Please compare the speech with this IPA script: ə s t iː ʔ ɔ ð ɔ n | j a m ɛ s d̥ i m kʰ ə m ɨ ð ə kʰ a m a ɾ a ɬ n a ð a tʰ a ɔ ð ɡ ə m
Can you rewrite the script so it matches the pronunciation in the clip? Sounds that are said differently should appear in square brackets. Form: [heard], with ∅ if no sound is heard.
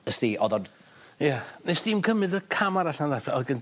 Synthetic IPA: ə s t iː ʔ ɔ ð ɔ [d] | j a [n] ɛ s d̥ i m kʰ ə m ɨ ð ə kʰ a m a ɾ a ɬ n a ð a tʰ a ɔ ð ɡ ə [n]